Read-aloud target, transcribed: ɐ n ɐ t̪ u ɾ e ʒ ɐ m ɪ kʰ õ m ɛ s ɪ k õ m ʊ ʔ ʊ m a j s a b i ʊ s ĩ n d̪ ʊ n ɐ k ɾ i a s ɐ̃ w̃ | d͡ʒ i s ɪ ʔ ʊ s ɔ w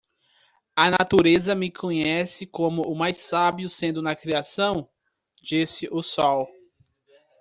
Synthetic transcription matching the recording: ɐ n a t̪ u ɾ e z ɐ m ɪ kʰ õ ɲ ɛ s ɪ k õ m ʊ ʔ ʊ m a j s a b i ʊ s ẽ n d̪ ʊ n ɐ k ɾ i a s ɐ̃ w̃ | d͡ʒ i s ɪ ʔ ʊ s ɔ w